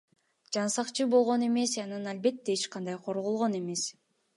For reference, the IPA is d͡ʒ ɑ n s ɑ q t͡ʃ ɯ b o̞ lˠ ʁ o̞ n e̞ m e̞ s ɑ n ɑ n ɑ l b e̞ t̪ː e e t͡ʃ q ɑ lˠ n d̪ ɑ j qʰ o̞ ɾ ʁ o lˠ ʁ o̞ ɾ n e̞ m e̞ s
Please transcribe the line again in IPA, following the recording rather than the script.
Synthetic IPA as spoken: d͡ʒ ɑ n s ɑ q t͡ʃ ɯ b o̞ lˠ ʁ o̞ n e̞ m e̞ s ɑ n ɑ n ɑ l b e̞ t̪ː e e t͡ʃ q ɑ n d̪ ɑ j qʰ o̞ ɾ ʁ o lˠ ʁ o̞ n e̞ m e̞ s

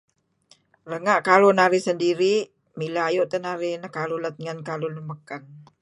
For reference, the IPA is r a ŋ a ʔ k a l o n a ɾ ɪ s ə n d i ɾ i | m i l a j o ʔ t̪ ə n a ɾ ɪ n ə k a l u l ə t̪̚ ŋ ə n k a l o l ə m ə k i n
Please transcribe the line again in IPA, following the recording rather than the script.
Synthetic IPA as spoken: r ə ŋ a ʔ k a l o n a ɾ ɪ s ə n d i ɾ i | m i l a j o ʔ t̪ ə n a ɾ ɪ n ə k a l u l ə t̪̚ ŋ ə n k a l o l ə m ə k a n

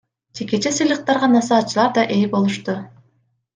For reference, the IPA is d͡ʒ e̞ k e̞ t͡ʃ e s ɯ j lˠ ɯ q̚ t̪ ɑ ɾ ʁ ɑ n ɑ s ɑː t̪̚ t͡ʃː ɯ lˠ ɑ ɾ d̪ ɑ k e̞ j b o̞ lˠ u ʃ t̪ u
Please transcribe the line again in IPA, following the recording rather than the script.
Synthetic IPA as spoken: d͡ʒ e̞ k e̞ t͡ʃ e s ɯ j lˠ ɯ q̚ t̪ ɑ ɾ ʁ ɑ n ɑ s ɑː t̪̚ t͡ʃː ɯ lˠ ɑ ɾ d̪ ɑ ʔ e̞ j b o̞ lˠ u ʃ t̪ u

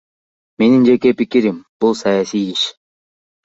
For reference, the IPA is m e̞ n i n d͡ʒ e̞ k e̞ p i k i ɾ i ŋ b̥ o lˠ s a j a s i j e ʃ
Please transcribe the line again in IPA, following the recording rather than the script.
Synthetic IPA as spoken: m e̞ n i n d͡ʒ e̞ k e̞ p i k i ɾ i m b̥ u lˠ s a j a s i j i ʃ

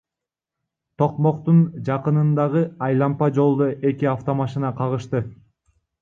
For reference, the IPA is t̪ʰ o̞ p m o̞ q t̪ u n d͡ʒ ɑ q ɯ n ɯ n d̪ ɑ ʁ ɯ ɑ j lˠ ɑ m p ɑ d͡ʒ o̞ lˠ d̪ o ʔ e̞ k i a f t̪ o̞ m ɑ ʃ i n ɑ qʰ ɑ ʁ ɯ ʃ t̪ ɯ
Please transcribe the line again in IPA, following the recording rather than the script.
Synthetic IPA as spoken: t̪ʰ o̞ q m o̞ q t̪ u n d͡ʒ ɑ q ɯ n ɯ n d̪ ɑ ʁ ɯ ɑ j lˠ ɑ m p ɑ d͡ʒ o̞ lˠ d̪ o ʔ e̞ k i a f t̪ o̞ m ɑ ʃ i n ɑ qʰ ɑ ʁ ɯ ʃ t̪ ɯ

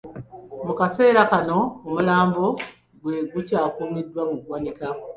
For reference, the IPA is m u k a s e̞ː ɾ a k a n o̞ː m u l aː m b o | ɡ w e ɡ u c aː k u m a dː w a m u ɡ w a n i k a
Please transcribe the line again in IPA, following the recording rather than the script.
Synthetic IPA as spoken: m u k a s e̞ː ɾ a k a n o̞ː m u l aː m b o | ɡ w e ɡ u c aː k u m i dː w a m u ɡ w a n i k a

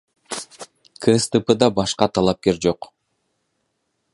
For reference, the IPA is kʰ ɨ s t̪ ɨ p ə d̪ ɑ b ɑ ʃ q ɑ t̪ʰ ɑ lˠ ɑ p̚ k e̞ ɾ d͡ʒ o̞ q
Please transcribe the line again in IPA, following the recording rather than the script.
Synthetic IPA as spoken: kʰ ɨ s t̪ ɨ p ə d̪ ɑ b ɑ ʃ q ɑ t̪ʰ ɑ lˠ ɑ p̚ k e̞ ɾ d͡ʒ o̞ q

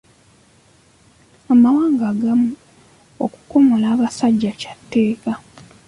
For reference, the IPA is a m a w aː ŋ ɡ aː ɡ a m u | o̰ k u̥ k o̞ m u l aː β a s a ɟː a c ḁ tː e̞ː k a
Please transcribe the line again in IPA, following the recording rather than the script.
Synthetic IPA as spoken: a m a w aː ŋ ɡ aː ɡ a m u | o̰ k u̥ k o̞ m o l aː β a s a ɟː a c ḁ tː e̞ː k a

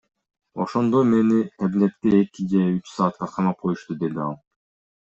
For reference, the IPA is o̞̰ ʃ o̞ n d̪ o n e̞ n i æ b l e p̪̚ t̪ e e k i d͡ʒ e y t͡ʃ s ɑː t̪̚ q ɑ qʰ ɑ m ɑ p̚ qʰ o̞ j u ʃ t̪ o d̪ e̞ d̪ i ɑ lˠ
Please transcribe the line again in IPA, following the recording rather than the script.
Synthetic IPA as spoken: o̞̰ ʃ o̞ n d̪ o m e̞ n i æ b l e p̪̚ t̪ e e k i d͡ʒ e y t͡ʃ s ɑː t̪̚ q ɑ qʰ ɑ m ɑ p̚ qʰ o̞ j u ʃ t̪ u d̪ e̞ d̪ i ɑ lˠ

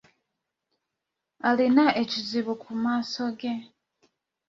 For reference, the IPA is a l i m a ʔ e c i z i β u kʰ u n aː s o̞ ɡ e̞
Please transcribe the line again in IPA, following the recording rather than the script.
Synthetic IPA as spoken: a l i n a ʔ e c i z i β u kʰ u m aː s o̞ ɡ e̞

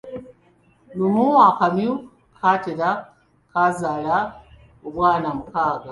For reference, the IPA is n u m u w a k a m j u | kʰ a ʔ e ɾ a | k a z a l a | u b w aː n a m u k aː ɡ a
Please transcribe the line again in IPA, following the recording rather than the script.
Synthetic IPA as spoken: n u m u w a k a m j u | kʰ a t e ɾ a | k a z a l a | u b w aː n a m u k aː ɡ a

